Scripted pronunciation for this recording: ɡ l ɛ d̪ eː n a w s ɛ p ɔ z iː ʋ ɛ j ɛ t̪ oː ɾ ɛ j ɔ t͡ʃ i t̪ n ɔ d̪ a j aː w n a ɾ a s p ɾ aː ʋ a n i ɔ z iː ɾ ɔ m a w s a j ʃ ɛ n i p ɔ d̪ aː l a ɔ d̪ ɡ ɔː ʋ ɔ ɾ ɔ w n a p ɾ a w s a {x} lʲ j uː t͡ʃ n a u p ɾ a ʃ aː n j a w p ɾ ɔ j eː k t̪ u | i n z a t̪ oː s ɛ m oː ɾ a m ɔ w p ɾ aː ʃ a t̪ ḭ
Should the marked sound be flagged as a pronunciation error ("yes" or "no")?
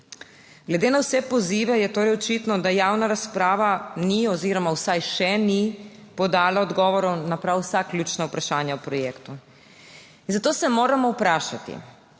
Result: yes